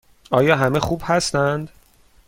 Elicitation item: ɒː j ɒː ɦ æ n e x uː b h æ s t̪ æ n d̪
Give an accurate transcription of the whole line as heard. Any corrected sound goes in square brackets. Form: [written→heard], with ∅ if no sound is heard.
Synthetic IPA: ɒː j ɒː ɦ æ [n→m] e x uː b h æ s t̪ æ n d̪